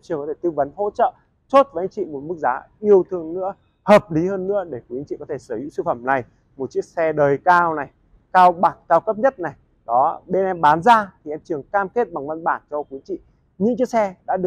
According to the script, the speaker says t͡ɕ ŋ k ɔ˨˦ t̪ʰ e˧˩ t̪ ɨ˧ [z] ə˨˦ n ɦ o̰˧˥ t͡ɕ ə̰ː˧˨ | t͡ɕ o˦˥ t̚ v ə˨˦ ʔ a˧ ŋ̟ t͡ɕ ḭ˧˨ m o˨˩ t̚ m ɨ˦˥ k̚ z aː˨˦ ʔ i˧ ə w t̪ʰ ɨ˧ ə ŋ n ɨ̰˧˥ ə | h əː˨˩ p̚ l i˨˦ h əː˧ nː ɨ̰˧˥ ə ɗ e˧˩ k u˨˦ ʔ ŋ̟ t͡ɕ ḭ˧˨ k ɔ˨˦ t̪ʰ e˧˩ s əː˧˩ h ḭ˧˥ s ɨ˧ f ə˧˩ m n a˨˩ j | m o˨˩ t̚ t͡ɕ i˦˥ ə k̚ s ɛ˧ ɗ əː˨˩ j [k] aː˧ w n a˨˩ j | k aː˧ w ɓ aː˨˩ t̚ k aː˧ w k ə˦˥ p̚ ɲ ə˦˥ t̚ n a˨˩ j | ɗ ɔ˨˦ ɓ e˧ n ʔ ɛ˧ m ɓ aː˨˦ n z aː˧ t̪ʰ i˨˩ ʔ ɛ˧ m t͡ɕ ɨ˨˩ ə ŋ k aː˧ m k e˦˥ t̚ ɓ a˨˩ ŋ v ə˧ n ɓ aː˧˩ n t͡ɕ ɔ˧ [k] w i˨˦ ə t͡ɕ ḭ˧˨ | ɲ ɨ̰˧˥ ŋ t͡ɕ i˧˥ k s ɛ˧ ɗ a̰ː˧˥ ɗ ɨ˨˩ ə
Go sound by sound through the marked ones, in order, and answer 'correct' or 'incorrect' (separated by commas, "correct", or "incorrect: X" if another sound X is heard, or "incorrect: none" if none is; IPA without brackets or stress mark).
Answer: incorrect: v, correct, correct